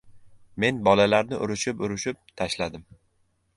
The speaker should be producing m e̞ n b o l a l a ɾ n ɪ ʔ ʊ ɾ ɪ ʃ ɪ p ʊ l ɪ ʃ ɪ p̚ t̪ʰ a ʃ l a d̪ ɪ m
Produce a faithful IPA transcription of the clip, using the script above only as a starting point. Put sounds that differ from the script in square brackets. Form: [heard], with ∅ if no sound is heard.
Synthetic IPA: m e̞ n b [ɒ] l a l a ɾ n ɪ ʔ ʊ ɾ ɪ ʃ ɪ p ʊ [ɾ] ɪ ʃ ɪ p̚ t̪ʰ a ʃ l a d̪ ɪ m